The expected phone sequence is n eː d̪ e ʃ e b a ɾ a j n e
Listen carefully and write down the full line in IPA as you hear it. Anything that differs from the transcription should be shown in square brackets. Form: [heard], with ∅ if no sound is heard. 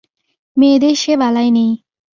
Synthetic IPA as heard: [m] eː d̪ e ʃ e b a [l] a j n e